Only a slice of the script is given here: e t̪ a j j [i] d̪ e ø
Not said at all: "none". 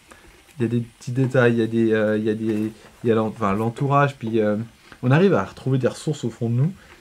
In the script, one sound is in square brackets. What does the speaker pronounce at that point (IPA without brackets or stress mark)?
a